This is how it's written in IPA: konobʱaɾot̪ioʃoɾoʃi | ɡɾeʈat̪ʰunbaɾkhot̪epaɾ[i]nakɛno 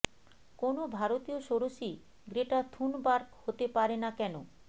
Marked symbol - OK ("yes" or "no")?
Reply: no